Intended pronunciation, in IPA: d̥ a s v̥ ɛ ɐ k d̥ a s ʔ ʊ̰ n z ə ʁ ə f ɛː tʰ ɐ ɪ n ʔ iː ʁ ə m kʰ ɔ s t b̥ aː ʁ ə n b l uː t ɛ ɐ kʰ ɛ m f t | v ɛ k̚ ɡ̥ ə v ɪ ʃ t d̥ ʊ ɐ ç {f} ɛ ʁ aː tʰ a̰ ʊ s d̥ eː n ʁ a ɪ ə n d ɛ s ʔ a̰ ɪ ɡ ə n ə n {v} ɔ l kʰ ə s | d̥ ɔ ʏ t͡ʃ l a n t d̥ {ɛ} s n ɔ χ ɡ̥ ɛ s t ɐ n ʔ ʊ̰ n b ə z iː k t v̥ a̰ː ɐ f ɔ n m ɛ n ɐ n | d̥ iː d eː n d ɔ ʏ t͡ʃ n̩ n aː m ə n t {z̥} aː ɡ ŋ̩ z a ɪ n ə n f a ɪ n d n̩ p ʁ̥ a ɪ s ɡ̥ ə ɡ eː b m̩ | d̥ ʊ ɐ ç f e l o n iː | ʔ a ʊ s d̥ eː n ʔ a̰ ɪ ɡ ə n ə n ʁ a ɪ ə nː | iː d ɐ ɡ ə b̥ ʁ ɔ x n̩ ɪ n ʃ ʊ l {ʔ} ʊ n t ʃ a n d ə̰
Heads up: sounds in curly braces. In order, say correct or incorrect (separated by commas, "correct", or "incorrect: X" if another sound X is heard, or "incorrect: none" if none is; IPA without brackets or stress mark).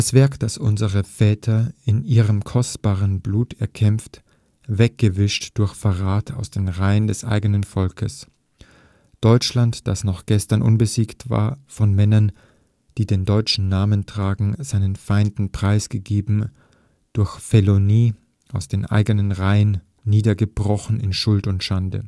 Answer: correct, incorrect: f, incorrect: a, incorrect: ʁ̥, incorrect: t